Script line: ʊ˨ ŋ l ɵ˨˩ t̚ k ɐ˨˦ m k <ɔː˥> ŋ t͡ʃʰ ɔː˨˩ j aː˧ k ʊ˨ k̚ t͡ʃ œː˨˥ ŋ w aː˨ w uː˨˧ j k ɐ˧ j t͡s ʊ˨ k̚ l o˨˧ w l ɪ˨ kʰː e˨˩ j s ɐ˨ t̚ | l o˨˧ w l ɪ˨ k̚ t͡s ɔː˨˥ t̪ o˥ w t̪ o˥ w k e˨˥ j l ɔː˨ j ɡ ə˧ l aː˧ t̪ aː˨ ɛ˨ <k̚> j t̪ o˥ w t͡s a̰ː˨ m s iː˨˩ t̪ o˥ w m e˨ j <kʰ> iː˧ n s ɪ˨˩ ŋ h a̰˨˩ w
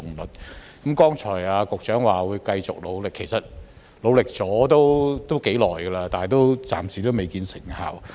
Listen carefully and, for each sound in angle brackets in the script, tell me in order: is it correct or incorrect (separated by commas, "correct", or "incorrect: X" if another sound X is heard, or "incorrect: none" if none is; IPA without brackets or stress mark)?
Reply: correct, incorrect: none, incorrect: k